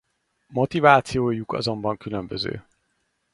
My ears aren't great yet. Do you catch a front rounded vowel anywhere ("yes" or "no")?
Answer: yes